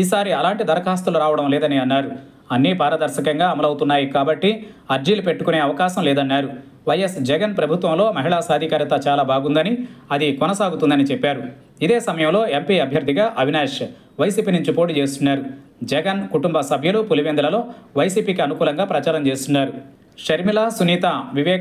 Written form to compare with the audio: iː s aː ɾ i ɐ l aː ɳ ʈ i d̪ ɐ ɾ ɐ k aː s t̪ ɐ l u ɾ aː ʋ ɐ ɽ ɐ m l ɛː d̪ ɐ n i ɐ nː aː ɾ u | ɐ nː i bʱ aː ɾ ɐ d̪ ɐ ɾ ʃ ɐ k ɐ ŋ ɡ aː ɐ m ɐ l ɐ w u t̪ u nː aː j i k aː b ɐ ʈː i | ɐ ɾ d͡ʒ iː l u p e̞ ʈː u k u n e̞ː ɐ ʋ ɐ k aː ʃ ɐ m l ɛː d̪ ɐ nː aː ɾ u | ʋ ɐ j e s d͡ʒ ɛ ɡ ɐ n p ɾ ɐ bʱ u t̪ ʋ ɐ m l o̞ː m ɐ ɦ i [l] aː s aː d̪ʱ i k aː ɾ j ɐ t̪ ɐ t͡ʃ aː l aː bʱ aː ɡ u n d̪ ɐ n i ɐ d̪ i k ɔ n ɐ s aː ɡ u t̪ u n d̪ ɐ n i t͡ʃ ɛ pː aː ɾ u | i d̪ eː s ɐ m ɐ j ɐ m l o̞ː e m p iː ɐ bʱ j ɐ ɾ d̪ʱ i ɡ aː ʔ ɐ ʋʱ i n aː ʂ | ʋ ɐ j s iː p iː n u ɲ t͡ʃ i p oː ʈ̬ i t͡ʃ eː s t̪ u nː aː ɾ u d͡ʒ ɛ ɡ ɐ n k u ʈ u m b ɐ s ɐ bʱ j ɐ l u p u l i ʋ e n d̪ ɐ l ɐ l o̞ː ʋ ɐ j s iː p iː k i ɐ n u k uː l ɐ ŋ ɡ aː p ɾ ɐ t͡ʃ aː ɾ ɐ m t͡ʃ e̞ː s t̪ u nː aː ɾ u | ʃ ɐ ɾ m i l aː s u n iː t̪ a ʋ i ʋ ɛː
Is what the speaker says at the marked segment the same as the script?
no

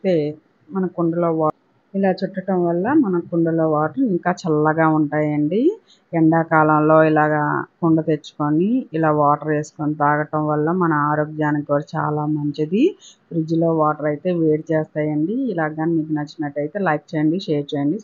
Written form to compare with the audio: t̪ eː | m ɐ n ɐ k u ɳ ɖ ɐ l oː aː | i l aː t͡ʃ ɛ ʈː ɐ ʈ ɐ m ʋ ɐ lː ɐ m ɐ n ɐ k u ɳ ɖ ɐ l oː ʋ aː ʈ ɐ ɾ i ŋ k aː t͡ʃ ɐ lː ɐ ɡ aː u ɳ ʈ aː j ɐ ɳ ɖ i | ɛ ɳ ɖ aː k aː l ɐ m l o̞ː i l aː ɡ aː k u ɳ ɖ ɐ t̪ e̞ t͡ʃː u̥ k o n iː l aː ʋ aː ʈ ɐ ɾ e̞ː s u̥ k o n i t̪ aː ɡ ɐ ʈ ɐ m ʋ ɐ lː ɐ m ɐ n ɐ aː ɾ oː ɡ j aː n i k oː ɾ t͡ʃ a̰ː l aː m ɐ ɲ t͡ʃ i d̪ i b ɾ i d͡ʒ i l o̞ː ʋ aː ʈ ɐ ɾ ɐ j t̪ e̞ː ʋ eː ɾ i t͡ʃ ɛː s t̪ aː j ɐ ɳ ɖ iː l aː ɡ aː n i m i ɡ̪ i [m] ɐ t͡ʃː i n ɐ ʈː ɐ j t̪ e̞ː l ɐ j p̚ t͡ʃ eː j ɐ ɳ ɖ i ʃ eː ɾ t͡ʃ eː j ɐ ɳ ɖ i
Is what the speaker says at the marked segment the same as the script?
no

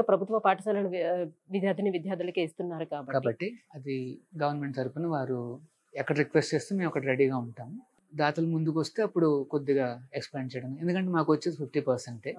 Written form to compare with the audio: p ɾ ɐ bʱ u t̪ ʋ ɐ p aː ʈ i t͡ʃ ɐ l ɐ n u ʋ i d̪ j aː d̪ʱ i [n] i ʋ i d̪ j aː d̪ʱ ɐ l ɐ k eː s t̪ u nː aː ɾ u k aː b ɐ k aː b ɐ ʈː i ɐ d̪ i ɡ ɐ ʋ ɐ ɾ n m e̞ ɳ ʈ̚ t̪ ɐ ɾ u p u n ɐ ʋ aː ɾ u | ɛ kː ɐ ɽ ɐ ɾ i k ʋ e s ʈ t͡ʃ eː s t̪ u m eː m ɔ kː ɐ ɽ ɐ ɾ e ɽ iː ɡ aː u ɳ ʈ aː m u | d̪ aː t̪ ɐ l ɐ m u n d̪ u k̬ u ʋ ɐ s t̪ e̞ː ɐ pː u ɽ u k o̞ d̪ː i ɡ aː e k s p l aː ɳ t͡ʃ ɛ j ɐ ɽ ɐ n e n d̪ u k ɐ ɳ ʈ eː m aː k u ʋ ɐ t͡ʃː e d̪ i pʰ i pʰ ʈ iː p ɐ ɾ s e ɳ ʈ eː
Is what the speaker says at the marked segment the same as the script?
yes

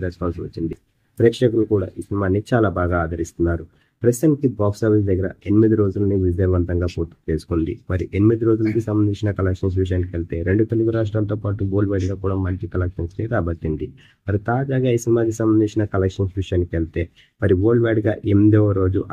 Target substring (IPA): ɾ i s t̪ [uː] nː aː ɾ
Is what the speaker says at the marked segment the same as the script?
no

